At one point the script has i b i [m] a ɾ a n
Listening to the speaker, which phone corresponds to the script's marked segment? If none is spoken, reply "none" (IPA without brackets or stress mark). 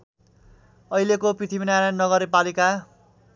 n